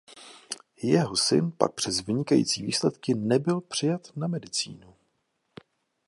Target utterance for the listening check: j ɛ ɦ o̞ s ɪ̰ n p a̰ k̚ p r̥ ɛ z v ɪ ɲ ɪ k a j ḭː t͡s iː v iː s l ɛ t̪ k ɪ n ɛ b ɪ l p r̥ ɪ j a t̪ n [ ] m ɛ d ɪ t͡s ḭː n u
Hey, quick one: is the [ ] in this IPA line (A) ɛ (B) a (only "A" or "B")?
B